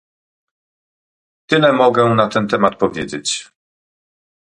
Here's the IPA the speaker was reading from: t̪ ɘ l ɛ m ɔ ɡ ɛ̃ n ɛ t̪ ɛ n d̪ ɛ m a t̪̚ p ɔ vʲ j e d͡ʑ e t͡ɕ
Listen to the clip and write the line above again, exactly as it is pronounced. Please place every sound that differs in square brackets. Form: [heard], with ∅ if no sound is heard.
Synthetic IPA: t̪ ɘ l ɛ m ɔ ɡ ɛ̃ n [a] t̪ ɛ n [t̪] ɛ m a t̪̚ p ɔ vʲ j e d͡ʑ e t͡ɕ